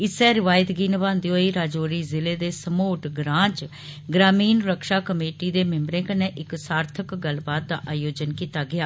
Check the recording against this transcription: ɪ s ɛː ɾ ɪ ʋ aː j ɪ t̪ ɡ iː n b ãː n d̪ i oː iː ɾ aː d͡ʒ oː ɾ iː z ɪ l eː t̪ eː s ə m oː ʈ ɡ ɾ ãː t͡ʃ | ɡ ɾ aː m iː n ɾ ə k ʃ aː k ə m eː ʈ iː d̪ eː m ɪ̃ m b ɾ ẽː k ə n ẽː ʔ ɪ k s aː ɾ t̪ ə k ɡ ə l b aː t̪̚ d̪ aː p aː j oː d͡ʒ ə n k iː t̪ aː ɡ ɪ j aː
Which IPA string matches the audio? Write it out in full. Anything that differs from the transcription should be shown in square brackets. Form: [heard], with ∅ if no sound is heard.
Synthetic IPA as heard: ɪ s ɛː ɾ ɪ ʋ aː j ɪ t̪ ɡ iː n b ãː n d̪ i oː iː ɾ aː d͡ʒ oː ɾ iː z ɪ l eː [d̪] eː s ə m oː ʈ ɡ ɾ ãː t͡ʃ | ɡ ɾ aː m iː n ɾ ə k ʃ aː k ə m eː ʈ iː d̪ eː m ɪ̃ m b ɾ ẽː k ə n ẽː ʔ ɪ k s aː ɾ [t̪ʰ] ə k ɡ ə l b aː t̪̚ d̪ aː [ʔ] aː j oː d͡ʒ ə n k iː t̪ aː ɡ ɪ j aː

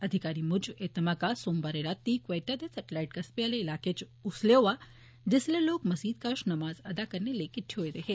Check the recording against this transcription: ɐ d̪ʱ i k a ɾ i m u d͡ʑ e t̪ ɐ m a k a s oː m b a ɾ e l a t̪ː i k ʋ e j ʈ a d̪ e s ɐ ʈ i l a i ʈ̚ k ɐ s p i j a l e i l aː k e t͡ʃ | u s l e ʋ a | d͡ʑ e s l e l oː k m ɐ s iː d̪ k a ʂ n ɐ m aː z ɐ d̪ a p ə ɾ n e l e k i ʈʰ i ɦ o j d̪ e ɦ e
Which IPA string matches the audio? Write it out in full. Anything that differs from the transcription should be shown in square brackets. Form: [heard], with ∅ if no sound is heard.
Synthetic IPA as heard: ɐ d̪ʱ i k a ɾ i m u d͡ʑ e t̪ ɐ m a k a s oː m b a ɾ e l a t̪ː i k ʋ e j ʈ a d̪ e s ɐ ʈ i l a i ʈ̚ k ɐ s p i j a l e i l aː k e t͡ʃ | u s l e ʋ a | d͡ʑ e s l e l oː k m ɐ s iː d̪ k a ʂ n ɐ m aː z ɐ d̪ a [k] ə ɾ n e l e k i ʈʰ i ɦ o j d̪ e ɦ e

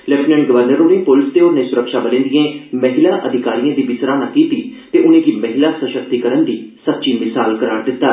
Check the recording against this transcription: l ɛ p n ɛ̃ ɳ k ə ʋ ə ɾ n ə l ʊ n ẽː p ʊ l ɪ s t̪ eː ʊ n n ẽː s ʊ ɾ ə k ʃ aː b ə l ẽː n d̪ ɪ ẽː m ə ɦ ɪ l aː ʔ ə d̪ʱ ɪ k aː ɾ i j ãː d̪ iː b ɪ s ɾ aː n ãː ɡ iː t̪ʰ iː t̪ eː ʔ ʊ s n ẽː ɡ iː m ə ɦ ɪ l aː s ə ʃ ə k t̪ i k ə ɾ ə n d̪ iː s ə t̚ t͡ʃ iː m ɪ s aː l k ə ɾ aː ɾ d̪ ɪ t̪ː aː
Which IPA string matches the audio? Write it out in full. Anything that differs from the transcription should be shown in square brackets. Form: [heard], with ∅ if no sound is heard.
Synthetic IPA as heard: l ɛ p n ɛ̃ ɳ [ɡ] ə ʋ ə ɾ n ə [ɾ] ʊ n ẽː p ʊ l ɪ s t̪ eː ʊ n n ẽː s ʊ ɾ ə k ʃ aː b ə l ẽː n d̪ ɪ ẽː m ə ɦ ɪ l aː ʔ ə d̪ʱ ɪ k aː ɾ i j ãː d̪ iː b ɪ s ɾ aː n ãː [k] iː [t̪] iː t̪ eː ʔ ʊ [∅] n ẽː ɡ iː m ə ɦ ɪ l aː s ə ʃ ə k t̪ i k ə ɾ ə n d̪ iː s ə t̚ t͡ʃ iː m ɪ s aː l k ə ɾ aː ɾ d̪ ɪ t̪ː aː

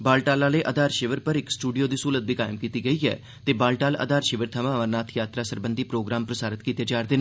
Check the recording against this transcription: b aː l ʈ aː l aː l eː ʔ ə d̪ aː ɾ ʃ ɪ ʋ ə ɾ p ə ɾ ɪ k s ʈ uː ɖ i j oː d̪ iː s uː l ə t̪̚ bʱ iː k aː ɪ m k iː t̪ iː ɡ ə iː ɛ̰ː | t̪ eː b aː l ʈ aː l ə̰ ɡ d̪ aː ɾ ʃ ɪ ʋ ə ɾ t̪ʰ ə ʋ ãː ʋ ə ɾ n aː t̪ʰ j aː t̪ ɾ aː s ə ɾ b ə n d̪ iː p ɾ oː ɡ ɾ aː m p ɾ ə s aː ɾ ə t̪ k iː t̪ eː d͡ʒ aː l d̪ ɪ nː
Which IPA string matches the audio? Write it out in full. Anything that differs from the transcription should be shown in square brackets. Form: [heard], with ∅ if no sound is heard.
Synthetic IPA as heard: b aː l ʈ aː l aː l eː ʔ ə d̪ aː ɾ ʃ ɪ ʋ ə ɾ p ə ɾ ɪ k s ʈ uː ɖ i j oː d̪ iː s uː l ə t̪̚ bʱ iː k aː ɪ m k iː t̪ iː ɡ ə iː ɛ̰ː | t̪ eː b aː l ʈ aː l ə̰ [∅] d̪ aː ɾ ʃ ɪ ʋ ə ɾ t̪ʰ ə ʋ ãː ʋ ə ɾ n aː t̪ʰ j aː t̪ ɾ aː s ə ɾ b ə n d̪ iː p ɾ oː ɡ ɾ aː m p ɾ ə s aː ɾ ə t̪ k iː t̪ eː d͡ʒ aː [ɾ] d̪ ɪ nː

